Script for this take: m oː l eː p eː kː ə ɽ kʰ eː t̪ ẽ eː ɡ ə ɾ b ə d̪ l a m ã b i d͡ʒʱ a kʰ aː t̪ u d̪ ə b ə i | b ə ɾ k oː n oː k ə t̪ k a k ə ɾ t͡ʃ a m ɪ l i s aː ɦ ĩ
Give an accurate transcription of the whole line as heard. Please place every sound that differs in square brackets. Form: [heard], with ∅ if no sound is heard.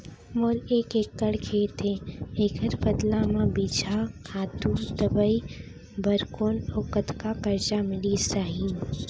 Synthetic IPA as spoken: m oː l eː [k] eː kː ə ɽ kʰ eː t̪ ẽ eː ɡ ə ɾ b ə d̪ l a m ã b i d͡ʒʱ a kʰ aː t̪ u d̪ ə b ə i | b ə ɾ k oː n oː k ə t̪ k a k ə ɾ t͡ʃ a m ɪ l i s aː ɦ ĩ